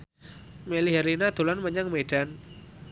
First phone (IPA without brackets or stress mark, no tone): m